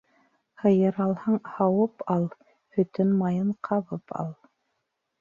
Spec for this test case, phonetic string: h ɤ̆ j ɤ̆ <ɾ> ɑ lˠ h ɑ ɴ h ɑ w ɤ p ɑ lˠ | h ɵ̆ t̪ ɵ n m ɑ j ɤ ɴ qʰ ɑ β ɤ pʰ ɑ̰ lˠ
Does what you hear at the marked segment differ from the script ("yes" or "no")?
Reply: no